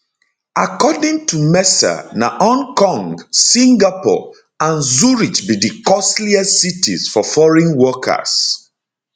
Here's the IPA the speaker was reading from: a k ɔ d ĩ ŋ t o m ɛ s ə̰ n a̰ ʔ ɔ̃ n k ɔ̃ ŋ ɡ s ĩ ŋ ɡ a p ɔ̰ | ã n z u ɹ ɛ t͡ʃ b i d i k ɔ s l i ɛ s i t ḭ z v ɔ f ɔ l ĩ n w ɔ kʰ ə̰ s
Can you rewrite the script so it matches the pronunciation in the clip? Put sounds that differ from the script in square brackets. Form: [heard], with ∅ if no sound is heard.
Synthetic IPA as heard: a k ɔ d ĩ ŋ t [u] m ɛ s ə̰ n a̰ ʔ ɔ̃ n k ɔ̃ ŋ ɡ s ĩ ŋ ɡ a p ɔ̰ | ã n z u ɹ [i] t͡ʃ b i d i k ɔ s l i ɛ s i t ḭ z [f] ɔ f ɔ [ɹ] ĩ n w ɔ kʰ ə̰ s